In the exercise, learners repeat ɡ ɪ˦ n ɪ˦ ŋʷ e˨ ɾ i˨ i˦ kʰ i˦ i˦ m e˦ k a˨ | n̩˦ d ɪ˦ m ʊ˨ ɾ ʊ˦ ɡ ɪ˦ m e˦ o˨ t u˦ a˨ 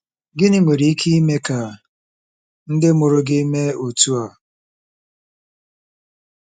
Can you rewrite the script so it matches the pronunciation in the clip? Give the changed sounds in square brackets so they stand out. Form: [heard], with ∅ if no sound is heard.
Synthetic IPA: ɡ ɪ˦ n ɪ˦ ŋʷ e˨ ɾ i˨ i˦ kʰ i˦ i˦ m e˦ k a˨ | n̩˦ d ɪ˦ m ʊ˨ ɾ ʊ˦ ɡ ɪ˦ m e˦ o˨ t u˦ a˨